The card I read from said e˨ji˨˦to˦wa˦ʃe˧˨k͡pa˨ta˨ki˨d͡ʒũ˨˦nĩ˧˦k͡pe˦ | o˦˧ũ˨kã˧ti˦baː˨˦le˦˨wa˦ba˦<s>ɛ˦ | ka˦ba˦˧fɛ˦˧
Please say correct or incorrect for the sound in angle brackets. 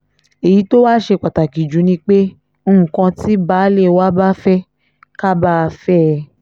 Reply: incorrect: f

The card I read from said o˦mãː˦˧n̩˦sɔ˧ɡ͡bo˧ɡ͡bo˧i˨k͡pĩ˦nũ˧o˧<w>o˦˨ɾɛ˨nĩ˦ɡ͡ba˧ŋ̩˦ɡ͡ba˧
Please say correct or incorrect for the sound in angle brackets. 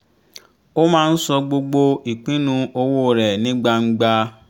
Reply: correct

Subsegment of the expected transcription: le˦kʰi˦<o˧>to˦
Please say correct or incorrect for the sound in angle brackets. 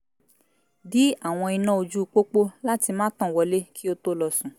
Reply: correct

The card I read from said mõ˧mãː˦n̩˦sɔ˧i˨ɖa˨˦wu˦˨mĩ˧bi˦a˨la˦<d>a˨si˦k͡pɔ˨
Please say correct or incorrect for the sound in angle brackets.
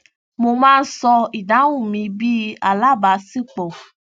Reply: incorrect: b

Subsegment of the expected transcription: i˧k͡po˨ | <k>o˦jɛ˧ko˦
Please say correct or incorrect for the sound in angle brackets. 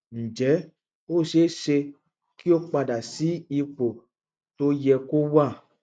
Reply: incorrect: t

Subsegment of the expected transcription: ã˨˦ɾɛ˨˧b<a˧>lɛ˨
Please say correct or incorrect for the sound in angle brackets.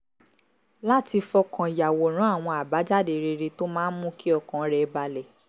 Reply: correct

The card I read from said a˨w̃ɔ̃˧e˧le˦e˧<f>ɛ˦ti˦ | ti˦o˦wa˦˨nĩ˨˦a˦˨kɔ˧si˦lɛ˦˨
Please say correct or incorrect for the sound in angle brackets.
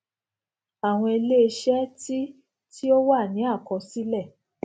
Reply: incorrect: ʃ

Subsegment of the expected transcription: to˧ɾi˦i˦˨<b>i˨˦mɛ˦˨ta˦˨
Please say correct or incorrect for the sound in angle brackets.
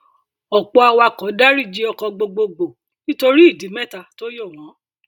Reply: incorrect: d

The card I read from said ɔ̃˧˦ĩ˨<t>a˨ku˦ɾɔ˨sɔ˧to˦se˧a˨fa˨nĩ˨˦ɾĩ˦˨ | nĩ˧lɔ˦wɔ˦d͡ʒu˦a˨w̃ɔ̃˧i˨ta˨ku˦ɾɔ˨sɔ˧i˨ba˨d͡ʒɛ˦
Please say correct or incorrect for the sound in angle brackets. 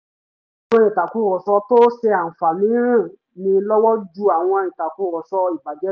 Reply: correct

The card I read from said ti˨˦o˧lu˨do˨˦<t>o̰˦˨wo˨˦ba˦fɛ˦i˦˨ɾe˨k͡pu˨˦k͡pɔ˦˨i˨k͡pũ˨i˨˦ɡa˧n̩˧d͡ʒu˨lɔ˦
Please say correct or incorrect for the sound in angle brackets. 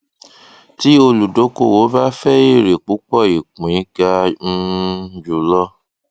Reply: incorrect: k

